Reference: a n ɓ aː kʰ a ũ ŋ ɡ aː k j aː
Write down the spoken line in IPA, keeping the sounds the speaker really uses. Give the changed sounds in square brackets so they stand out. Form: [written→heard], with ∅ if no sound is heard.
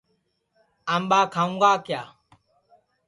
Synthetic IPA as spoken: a [n→m] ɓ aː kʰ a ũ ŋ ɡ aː k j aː